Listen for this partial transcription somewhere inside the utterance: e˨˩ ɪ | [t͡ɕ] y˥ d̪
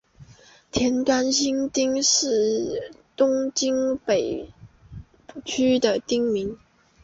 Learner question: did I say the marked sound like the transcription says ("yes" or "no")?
no